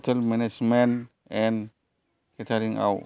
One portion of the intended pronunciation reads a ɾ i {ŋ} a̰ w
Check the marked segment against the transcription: correct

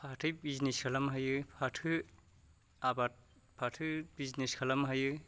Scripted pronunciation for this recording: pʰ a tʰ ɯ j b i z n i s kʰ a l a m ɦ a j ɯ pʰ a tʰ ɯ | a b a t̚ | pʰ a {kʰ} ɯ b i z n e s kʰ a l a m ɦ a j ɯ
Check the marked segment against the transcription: incorrect: tʰ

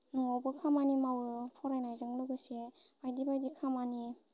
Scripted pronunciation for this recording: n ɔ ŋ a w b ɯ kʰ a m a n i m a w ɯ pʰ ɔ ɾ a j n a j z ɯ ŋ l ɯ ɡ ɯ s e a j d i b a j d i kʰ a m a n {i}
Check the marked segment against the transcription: correct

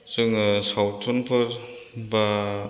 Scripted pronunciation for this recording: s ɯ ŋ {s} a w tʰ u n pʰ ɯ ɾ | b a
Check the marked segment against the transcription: correct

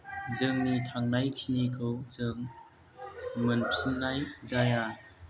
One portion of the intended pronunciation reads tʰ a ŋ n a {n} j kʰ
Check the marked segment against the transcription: incorrect: none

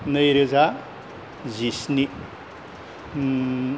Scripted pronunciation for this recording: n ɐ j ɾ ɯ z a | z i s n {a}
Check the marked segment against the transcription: incorrect: i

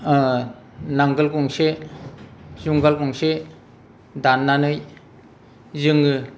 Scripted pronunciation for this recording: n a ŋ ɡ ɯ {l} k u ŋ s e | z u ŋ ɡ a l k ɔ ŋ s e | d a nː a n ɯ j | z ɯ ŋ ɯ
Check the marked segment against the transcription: correct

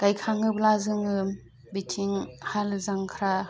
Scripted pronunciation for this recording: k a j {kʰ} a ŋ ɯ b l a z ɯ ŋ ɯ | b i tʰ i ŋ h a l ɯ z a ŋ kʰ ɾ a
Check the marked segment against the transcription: correct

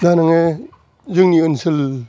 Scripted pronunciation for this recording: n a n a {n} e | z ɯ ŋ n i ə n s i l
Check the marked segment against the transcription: incorrect: ŋ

